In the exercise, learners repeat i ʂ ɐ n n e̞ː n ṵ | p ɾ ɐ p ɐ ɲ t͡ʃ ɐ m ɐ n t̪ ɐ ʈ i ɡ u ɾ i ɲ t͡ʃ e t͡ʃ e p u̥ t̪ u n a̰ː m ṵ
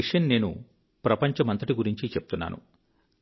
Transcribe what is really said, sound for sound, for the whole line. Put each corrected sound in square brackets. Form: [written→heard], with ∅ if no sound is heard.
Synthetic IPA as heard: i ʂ ɐ n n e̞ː n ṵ | p ɾ ɐ p ɐ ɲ t͡ʃ ɐ m ɐ n t̪ ɐ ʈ i ɡ u ɾ i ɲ t͡ʃ [e→i] t͡ʃ e p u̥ t̪ u [n→nː] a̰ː [m→n] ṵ

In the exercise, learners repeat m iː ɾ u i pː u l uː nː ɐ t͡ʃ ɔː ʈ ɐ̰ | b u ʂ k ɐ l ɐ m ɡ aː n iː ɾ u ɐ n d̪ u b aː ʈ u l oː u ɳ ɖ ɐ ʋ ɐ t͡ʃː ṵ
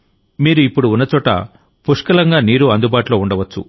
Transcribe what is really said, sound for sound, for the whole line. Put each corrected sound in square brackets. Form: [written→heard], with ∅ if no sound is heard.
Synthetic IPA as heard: m iː ɾ u i pː u [l→ɽ] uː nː ɐ t͡ʃ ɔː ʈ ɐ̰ | [b→p] u ʂ k ɐ l ɐ [m→ŋ] ɡ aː n iː ɾ u ɐ n d̪ u b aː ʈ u l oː u ɳ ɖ ɐ ʋ ɐ t͡ʃː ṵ

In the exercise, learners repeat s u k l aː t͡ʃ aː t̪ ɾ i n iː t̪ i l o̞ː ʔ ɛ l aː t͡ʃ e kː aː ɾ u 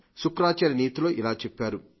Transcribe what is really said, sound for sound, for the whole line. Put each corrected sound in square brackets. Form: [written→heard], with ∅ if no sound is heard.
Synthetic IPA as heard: s u k [l→ɾ] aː t͡ʃ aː [t̪→∅] ɾ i n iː t̪ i l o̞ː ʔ [ɛ→i] l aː t͡ʃ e [kː→pː] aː ɾ u

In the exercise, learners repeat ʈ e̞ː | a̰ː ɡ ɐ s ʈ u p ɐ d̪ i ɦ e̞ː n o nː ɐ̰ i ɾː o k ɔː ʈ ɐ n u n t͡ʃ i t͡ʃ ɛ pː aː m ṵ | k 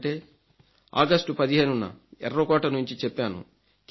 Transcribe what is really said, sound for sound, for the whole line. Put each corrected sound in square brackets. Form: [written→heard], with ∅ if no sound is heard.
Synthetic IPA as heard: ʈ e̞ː | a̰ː ɡ ɐ s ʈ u p ɐ d̪ i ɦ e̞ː n [o→u] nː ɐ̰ [i→ɛ] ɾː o k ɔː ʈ ɐ n u [n→ɲ] t͡ʃ i t͡ʃ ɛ pː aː [m→n] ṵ | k

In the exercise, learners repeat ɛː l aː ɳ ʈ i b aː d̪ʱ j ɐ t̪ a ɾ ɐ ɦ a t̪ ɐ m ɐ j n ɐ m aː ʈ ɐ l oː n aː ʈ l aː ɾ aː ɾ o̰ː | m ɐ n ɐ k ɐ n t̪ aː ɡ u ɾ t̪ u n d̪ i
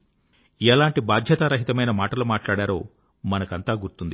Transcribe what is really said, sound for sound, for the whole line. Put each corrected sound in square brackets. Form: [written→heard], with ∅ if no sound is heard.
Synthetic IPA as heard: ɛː l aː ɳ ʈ i b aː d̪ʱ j ɐ t̪ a ɾ ɐ ɦ [a→i] t̪ ɐ m ɐ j n ɐ m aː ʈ ɐ l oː [n→m] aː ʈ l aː [ɾ→ɽ] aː ɾ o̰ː | m ɐ n ɐ k ɐ n t̪ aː ɡ u ɾ t̪ u n d̪ i

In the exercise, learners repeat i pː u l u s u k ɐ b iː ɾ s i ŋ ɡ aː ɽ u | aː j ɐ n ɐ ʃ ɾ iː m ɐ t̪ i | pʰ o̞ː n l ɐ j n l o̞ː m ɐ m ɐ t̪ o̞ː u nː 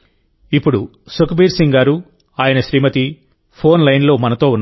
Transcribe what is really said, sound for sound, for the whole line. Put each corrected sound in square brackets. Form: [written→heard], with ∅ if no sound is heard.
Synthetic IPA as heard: i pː u [l→ɽ] u s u k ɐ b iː ɾ s i ŋ ɡ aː [ɽ→ɾ] u | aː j ɐ n ɐ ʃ ɾ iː m ɐ t̪ i | pʰ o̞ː n l ɐ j n l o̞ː m ɐ [m→n] ɐ t̪ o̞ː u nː

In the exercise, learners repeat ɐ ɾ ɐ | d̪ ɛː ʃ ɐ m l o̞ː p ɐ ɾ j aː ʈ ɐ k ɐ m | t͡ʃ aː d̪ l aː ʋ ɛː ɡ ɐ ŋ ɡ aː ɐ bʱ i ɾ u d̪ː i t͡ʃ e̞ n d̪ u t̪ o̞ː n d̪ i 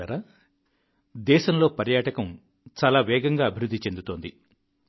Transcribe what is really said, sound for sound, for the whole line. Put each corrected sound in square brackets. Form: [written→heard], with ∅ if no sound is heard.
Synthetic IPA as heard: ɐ ɾ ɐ | d̪ ɛː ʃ ɐ m l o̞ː p ɐ ɾ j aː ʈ ɐ k ɐ m | t͡ʃ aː [d̪→∅] l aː ʋ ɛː ɡ ɐ ŋ ɡ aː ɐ bʱ i ɾ u d̪ː i t͡ʃ e̞ n d̪ u t̪ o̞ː n d̪ i

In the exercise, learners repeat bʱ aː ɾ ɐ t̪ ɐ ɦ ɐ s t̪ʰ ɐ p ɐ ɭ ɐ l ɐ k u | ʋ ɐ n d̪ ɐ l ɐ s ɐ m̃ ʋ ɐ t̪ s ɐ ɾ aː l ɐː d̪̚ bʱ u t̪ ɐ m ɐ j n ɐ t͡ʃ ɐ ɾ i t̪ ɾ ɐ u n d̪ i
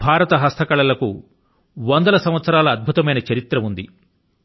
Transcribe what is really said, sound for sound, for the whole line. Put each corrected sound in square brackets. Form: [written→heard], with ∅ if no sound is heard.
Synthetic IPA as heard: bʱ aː ɾ ɐ t̪ ɐ ɦ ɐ s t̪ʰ ɐ [p→k] ɐ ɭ ɐ l ɐ k u | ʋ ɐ n d̪ ɐ l ɐ s ɐ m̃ ʋ ɐ t̪ s ɐ ɾ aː l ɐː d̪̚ bʱ u t̪ ɐ m ɐ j n ɐ t͡ʃ ɐ ɾ i t̪ ɾ ɐ u n d̪ i

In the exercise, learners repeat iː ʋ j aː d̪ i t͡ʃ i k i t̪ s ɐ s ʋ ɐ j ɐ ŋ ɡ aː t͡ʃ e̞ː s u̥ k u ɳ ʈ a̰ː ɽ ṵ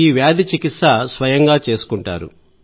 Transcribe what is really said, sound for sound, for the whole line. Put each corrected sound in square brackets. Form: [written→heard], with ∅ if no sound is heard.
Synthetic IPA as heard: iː ʋ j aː d̪ i t͡ʃ i k i t̪ s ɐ s ʋ ɐ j ɐ ŋ ɡ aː t͡ʃ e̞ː s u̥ k u ɳ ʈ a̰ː [ɽ→ɾ] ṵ

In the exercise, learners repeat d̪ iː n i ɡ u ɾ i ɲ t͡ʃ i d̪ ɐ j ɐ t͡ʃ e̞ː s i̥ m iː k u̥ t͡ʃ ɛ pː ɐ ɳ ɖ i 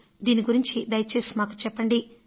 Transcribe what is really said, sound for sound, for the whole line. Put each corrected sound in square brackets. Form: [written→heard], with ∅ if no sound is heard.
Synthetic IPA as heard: d̪ iː n i ɡ u ɾ i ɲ t͡ʃ i d̪ ɐ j ɐ t͡ʃ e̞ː s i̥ m [iː→aː] k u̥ t͡ʃ ɛ pː ɐ ɳ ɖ i

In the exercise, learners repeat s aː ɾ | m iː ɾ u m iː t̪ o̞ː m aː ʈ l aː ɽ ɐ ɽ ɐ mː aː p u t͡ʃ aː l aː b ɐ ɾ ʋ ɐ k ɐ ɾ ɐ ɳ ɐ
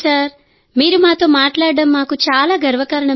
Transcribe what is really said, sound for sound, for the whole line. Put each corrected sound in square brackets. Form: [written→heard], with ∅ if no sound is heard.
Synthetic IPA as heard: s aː ɾ | m iː ɾ u m [iː→aː] t̪ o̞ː m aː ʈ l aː ɽ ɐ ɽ ɐ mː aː [p→k] u t͡ʃ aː l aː [b→ɡ] ɐ ɾ ʋ ɐ k ɐ ɾ ɐ ɳ ɐ

